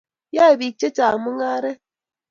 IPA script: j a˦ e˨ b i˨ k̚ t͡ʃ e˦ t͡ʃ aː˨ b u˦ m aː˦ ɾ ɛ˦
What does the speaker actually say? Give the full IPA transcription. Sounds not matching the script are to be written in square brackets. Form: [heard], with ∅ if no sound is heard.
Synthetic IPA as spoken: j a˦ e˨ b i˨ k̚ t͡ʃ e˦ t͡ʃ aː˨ [m] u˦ [ŋ] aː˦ ɾ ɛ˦

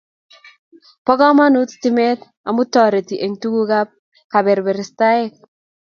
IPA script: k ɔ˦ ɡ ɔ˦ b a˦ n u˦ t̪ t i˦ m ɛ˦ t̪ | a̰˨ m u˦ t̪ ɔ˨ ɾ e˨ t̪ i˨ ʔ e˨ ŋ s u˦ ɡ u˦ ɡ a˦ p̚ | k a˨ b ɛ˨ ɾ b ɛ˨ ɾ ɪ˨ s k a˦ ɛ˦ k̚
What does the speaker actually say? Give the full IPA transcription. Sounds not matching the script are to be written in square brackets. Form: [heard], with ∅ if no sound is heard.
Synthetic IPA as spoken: [p] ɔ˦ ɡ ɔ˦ [m] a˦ n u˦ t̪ t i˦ m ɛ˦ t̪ | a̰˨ m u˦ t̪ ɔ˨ ɾ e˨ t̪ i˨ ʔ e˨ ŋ [t] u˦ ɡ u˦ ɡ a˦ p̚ | k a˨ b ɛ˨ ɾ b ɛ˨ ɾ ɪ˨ s [t] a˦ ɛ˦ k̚

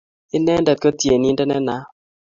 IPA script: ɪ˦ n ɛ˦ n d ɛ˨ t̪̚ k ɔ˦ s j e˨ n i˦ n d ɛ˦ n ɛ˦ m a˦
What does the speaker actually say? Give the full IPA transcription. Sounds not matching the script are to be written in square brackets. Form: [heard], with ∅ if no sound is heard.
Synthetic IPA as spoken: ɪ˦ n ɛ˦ n d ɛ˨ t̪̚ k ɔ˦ [t] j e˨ n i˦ n d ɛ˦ n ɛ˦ [n] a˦

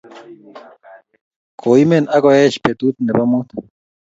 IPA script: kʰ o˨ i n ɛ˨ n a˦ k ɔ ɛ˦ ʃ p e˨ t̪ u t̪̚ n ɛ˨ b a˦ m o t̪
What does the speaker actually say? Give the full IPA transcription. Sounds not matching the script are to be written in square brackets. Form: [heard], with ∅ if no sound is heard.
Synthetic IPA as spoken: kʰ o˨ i [m] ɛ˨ n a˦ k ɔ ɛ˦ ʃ p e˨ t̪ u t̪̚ n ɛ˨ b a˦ m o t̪

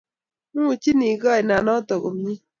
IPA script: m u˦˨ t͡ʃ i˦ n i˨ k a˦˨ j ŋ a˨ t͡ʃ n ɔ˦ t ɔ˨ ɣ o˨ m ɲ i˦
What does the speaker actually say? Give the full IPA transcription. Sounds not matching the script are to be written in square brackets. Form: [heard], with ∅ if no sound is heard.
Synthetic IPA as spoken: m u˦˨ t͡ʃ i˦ n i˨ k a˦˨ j [n] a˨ [∅] n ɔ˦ t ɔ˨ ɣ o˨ m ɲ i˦

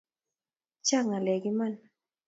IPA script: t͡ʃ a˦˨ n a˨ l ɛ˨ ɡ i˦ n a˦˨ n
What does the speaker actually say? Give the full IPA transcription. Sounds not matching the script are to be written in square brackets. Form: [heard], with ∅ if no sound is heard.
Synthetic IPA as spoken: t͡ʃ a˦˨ [ŋ] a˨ l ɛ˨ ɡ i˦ [m] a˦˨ n

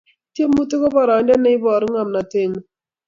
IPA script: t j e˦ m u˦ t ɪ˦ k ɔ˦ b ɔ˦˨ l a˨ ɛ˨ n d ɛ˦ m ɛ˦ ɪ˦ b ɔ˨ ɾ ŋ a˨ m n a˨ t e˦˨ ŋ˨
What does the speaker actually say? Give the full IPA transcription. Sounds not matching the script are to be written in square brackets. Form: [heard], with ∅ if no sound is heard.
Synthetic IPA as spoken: t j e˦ m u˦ t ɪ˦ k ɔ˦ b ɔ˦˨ [ɾ] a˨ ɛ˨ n d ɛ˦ [n] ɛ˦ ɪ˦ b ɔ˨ ɾ ŋ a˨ m n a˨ t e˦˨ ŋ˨

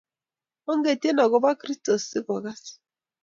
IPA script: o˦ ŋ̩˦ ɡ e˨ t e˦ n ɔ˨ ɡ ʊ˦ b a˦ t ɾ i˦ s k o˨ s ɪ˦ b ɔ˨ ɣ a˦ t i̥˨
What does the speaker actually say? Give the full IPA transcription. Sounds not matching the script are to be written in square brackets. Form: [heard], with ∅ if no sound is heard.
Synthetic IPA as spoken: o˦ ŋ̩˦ ɡ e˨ t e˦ n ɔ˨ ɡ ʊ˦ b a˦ [k] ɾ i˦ s [t] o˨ s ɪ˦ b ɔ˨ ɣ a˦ [s] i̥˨

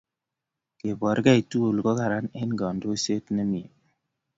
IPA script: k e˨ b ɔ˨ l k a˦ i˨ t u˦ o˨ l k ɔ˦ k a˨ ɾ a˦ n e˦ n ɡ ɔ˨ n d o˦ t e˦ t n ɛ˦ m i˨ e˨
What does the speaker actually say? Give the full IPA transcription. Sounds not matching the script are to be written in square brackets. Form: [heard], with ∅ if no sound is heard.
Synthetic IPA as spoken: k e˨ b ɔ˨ [ɾ] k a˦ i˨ t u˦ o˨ l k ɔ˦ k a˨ ɾ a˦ n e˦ n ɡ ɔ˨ n d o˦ [s] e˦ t n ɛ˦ m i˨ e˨

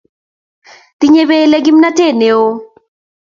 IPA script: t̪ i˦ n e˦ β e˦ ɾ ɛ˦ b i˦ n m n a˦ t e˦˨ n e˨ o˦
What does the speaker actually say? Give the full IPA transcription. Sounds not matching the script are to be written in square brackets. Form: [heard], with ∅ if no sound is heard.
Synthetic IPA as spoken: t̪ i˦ [ɲ] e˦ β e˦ [l] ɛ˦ [ɡ] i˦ [∅] m n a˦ t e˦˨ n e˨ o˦

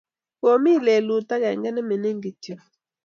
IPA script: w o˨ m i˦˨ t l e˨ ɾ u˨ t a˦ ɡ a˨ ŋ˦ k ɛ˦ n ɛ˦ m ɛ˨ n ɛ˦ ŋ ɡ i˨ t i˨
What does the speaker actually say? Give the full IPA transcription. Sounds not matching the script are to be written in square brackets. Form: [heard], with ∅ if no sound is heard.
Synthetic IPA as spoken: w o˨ m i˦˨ [∅] l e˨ [l] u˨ t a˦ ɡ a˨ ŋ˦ [ɡ] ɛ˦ n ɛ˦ m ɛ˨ n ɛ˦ ŋ ɡ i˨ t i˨

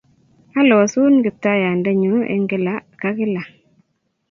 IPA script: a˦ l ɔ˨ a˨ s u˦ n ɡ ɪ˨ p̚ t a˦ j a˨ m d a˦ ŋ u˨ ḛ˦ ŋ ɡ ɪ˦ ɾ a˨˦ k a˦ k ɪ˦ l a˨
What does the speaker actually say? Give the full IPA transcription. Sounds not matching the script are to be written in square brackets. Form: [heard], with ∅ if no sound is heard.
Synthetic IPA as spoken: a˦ l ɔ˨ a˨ s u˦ n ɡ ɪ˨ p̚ t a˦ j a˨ [n] d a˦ [ɲ] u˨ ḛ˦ ŋ ɡ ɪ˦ [l] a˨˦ k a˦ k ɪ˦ l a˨

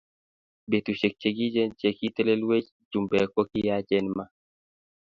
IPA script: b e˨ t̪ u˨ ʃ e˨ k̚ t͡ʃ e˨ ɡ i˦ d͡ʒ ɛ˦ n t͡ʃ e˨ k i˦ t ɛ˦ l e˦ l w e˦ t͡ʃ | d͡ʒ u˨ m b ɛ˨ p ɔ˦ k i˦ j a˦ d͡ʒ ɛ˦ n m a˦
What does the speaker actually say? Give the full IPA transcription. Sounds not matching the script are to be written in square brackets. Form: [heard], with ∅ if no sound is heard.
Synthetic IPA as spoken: b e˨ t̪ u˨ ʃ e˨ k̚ t͡ʃ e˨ ɡ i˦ d͡ʒ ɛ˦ n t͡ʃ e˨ k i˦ t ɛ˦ l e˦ l w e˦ t͡ʃ | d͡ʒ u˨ m b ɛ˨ [k] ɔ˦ k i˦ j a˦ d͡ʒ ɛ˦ n m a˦

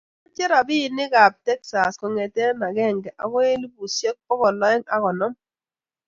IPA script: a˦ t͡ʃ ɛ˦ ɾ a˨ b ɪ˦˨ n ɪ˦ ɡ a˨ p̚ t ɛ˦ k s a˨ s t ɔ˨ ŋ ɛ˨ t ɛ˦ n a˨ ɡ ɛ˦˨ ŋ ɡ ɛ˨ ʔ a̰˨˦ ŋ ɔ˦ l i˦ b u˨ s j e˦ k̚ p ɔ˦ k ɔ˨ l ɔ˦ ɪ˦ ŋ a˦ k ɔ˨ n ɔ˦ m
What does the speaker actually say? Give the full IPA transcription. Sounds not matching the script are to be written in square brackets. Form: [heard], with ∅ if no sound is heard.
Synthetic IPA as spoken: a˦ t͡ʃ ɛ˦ ɾ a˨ b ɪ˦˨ n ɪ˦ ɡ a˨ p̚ t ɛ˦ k s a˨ s [k] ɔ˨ ŋ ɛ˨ t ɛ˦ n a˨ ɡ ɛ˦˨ ŋ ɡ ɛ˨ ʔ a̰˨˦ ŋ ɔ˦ l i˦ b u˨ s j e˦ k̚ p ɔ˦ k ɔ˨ l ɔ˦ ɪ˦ ŋ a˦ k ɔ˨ n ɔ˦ m

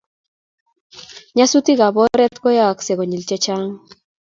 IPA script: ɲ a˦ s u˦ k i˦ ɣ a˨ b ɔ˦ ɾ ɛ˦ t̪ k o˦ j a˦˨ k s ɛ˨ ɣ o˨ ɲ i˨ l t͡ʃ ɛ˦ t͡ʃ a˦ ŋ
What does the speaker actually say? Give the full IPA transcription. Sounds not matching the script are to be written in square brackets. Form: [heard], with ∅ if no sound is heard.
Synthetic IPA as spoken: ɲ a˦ s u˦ [t] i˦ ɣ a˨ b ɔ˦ ɾ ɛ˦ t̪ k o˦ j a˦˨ k s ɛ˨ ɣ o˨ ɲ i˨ l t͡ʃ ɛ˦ t͡ʃ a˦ ŋ

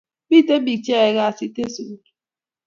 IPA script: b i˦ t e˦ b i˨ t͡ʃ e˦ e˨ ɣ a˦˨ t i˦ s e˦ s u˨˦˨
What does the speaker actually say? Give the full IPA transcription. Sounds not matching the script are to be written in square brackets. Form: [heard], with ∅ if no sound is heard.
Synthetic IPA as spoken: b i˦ t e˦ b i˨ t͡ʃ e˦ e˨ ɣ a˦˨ [s] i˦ [t] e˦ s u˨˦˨

